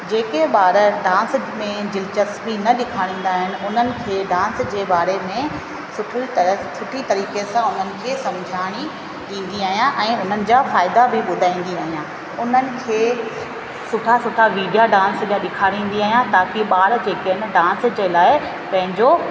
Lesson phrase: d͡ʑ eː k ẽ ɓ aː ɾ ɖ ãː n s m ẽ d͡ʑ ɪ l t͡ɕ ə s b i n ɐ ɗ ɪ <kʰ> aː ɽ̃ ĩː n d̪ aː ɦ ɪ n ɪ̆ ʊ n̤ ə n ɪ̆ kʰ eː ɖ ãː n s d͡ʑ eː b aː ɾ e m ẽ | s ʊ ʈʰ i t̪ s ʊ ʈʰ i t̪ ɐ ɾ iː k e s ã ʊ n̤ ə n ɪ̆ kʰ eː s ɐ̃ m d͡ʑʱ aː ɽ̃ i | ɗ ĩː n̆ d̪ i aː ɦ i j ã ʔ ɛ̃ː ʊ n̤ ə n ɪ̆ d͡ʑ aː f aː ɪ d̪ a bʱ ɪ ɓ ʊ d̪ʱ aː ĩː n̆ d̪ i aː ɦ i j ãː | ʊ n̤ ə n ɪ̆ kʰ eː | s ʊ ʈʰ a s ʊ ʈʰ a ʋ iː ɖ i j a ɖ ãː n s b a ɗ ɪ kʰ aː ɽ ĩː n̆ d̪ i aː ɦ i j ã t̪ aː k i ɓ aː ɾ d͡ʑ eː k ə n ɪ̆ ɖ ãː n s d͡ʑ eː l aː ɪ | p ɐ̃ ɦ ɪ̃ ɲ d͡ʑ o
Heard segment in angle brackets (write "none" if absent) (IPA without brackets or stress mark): kʰ